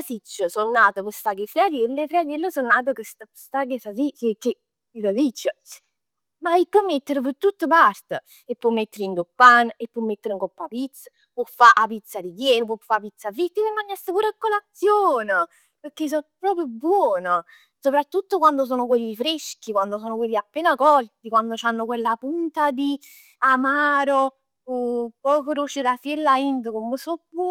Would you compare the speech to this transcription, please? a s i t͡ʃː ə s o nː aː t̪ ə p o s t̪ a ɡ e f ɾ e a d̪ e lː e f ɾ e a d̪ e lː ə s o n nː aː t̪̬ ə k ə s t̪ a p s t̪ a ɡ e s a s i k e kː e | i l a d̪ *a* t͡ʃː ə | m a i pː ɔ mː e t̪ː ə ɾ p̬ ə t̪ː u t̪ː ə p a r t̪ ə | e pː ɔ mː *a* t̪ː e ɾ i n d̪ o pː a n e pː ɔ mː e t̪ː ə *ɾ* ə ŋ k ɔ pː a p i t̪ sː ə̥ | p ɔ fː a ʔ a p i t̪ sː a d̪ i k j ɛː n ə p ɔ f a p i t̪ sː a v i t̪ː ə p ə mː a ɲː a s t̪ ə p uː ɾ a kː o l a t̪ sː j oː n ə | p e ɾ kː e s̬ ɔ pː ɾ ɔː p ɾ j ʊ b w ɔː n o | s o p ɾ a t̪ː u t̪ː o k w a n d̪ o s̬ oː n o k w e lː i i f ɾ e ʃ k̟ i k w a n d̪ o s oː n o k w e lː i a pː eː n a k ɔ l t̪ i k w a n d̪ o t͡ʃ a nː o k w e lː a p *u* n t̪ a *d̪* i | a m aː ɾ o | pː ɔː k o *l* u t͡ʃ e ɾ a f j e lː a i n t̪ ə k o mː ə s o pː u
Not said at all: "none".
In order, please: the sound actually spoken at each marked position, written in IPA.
i, e, ɾ, u, d̪, ɾ

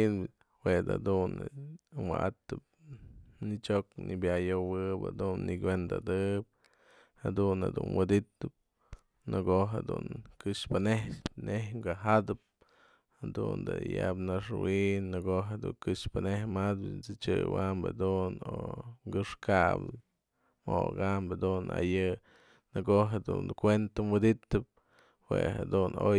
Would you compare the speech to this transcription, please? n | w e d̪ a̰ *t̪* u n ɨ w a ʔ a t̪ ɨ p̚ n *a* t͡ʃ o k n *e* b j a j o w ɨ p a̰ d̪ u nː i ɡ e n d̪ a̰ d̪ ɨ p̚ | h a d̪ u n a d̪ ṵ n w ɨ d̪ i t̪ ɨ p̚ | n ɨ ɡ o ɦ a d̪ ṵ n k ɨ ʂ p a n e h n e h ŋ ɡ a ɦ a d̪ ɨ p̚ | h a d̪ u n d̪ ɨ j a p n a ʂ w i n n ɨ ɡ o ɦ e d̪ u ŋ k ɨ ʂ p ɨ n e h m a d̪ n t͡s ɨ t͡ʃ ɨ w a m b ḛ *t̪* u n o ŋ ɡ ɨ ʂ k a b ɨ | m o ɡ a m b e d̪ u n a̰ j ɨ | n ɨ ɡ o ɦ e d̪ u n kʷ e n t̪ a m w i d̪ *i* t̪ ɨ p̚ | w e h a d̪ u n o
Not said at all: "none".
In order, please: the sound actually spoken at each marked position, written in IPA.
d̪, i, i, d̪, i

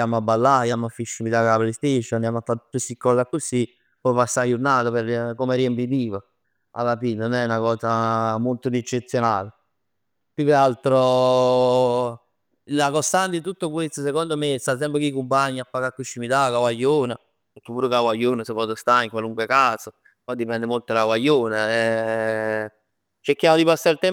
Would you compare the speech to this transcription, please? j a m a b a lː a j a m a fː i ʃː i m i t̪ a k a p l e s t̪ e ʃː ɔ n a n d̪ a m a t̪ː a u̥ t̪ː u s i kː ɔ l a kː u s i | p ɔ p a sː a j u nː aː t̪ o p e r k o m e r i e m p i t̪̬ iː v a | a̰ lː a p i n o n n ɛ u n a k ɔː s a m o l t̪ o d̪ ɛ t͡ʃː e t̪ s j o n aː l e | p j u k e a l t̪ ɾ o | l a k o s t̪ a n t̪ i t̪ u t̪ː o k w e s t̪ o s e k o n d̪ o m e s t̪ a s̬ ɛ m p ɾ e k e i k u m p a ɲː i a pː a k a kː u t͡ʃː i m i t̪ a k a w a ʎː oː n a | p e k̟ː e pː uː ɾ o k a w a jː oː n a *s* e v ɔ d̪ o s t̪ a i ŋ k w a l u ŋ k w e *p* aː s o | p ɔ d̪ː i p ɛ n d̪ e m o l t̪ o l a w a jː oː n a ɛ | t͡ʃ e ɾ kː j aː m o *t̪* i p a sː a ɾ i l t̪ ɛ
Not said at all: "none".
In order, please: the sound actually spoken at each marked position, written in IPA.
s, k, d̪

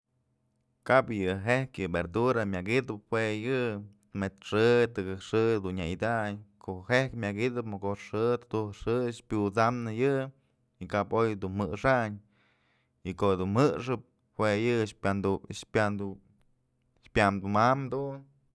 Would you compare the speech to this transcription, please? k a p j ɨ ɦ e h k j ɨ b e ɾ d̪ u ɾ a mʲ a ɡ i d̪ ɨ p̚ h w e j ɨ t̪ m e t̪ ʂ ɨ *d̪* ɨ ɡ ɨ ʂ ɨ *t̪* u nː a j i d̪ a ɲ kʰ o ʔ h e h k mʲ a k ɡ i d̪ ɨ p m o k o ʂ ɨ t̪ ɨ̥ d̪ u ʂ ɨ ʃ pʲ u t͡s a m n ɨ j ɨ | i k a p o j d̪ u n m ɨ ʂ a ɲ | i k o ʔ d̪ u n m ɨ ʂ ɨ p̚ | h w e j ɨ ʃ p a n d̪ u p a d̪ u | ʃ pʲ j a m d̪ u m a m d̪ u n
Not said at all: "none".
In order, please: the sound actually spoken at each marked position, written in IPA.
t̪, d̪

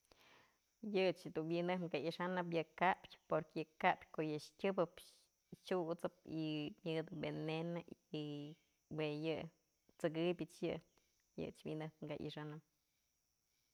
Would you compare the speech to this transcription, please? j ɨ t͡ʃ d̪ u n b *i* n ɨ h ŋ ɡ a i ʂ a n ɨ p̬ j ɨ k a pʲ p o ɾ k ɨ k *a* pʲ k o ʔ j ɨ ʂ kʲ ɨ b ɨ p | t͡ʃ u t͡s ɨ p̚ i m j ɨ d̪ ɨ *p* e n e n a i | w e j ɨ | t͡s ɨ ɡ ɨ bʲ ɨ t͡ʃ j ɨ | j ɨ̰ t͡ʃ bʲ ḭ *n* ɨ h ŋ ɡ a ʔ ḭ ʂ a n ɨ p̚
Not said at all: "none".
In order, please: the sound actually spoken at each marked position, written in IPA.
i, a, b, n

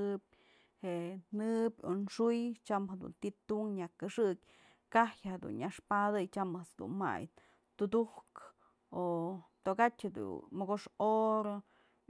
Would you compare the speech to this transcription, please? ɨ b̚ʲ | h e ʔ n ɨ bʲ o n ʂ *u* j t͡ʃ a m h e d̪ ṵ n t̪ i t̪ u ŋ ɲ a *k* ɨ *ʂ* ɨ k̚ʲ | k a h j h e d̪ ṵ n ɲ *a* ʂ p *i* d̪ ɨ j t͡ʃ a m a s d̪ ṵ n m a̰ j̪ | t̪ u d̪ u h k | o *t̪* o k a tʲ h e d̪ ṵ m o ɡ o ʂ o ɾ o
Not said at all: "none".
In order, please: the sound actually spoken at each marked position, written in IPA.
u, k, ʂ, a, a, t̪

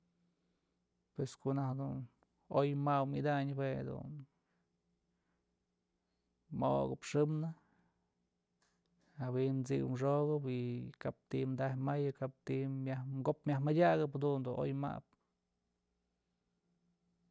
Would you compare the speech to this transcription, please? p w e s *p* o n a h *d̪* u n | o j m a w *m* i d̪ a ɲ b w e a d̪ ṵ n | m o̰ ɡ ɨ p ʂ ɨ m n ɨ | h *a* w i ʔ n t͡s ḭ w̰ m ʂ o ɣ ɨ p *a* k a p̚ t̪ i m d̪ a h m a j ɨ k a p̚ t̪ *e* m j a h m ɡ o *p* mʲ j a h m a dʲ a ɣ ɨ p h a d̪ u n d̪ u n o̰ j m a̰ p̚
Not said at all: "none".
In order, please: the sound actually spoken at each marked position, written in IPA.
k, d̪, m, a, i, i, p

